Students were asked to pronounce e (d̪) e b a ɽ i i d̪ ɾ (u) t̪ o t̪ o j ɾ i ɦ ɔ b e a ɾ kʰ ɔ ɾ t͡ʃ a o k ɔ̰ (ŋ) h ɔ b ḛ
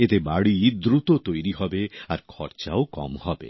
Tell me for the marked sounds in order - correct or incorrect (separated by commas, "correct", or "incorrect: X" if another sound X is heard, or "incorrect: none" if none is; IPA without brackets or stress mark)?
incorrect: t̪, correct, incorrect: m